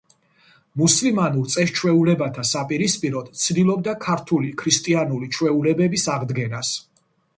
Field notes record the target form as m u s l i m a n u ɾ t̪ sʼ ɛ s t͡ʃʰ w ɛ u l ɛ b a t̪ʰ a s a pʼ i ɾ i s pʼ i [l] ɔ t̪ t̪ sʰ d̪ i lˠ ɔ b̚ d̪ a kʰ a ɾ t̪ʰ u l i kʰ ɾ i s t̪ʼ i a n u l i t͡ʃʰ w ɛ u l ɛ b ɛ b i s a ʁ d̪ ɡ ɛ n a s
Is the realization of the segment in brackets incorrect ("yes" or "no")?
yes